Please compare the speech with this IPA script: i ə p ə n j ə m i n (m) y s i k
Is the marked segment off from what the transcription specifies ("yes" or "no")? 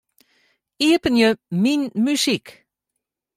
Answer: no